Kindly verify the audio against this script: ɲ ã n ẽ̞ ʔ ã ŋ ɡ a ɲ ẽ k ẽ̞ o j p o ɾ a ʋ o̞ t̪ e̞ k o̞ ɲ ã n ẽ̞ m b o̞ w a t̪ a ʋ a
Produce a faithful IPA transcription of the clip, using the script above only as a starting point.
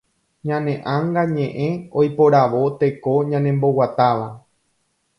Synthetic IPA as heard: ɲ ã n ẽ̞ ʔ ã ŋ ɡ a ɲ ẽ ʔ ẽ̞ o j p o ɾ a ʋ o̞ t̪ e̞ k o̞ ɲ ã n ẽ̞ m b o̞ w a t̪ a ʋ a